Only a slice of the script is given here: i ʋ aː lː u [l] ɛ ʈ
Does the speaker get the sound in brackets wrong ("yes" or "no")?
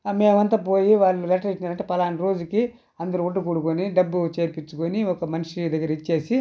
no